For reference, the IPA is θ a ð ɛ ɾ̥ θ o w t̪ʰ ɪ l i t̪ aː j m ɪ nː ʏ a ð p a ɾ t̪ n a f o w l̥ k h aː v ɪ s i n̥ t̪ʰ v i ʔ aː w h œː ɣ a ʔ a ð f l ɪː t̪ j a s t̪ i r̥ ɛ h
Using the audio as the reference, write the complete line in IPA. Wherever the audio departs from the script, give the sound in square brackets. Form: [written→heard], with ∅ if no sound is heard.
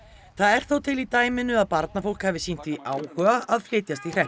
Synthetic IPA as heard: θ a ð ɛ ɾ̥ θ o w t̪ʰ ɪ l i t̪ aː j m ɪ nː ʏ a ð p a ɾ t̪ n a f o w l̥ k h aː v ɪ s i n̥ [t̪ʰ→t̪] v i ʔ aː w h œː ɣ a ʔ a ð f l ɪː t̪ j a s t̪ i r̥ ɛ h